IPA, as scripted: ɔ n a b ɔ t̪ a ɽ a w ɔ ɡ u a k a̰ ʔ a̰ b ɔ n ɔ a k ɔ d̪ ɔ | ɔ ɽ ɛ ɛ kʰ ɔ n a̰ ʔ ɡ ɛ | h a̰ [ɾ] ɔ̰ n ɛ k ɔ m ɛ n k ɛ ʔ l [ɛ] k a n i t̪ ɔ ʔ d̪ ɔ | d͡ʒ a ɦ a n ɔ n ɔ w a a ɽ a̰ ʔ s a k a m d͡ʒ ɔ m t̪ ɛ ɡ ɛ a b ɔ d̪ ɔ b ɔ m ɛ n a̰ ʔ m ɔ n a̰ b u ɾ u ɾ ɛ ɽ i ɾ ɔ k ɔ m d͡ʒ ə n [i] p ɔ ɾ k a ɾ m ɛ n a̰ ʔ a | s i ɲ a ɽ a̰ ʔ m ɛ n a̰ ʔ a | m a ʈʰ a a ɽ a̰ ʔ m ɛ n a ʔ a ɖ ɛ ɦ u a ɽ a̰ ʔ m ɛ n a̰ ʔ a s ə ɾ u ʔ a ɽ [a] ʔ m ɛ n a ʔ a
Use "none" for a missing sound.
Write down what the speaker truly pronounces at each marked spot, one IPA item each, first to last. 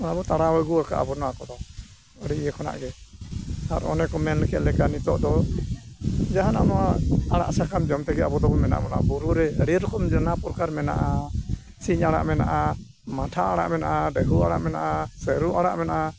ɾ, ɛ, a, a

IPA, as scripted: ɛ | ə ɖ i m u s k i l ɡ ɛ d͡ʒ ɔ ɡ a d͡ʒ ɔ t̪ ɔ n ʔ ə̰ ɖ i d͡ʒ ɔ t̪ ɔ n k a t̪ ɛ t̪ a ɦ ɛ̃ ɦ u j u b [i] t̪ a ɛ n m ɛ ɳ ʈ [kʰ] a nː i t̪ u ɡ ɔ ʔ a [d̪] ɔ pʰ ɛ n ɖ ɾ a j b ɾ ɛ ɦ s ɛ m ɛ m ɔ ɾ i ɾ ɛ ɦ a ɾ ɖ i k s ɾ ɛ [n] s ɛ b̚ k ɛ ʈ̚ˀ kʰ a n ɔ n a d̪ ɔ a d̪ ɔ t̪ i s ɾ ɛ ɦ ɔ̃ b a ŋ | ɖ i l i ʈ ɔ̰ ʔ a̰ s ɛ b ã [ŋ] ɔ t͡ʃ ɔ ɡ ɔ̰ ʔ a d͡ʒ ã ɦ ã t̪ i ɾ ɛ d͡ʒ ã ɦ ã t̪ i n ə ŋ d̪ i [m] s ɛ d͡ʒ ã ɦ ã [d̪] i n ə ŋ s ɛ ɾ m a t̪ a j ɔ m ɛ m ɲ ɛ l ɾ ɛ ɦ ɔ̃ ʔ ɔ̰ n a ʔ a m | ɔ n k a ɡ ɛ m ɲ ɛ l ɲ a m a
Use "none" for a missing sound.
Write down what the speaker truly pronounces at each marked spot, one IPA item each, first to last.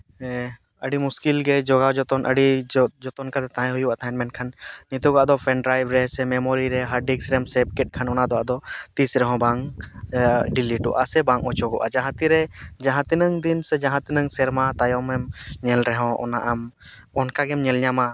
a, kʰ, d̪, m, ŋ, n, t̪

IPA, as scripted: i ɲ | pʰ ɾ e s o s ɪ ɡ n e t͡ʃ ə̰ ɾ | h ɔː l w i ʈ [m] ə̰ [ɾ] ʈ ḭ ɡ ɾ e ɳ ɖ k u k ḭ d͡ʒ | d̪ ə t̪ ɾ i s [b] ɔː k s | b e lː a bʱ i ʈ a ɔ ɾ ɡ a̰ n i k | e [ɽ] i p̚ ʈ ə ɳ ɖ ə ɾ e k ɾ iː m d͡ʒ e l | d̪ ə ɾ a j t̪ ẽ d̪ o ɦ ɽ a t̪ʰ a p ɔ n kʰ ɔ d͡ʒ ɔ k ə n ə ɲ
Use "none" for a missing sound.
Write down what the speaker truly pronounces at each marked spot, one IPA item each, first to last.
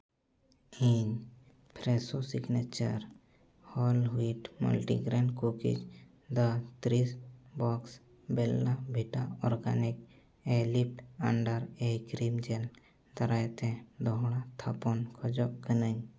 m, l, b, l

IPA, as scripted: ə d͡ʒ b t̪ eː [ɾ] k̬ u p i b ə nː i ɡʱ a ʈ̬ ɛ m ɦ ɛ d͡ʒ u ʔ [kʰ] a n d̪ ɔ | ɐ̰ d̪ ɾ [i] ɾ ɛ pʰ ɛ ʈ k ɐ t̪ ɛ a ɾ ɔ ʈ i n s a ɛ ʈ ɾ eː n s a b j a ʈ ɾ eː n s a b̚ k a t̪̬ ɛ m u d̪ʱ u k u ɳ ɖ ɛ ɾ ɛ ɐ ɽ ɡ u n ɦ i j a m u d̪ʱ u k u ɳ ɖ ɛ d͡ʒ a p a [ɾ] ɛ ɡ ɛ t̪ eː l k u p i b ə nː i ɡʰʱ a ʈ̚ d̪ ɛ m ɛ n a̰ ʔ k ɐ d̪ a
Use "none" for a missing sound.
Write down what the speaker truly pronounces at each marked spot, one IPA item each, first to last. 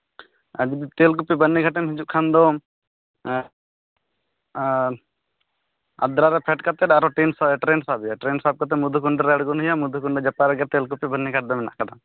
l, kʰ, a, ɾ

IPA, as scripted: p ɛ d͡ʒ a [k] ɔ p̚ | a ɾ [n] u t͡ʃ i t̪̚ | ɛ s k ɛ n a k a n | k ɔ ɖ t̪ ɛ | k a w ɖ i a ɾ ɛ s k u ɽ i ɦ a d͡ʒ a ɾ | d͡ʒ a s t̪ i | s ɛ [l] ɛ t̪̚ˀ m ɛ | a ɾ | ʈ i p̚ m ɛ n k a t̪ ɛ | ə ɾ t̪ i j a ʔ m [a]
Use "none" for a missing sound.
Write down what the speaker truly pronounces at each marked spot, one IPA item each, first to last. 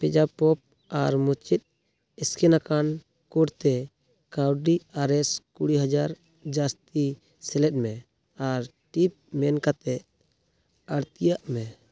p, m, l, ɛ

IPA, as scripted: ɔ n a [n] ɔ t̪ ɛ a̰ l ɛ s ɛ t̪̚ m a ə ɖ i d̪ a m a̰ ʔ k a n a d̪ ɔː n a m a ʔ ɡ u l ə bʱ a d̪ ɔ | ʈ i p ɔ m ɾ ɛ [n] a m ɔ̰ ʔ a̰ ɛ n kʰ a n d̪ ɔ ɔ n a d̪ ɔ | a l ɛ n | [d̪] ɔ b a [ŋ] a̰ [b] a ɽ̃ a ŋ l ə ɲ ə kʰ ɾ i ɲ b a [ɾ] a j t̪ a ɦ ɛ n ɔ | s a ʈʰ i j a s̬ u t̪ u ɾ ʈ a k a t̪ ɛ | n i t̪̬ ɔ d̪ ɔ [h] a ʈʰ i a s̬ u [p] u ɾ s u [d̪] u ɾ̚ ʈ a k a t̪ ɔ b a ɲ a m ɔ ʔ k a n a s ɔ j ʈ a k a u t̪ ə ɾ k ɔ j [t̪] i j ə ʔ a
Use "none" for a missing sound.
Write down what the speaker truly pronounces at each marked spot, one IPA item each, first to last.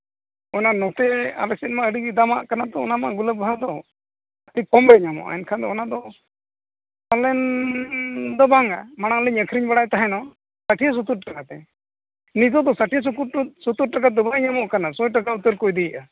n, ɲ, d̪, ŋ, m, ɽ, s, k, t̪, d̪

